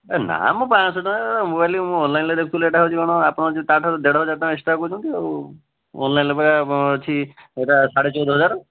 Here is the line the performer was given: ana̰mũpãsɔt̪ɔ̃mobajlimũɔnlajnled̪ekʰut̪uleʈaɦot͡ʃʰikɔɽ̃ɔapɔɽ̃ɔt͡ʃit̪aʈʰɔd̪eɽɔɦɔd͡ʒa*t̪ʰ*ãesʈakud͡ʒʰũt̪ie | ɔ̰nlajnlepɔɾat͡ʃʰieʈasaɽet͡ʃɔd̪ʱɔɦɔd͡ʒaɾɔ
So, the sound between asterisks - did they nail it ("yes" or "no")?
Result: no